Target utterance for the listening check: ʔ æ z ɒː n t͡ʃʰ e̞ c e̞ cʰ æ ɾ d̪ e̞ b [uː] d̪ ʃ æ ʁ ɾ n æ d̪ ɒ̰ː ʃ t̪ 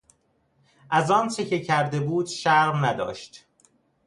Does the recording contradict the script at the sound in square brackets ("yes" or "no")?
no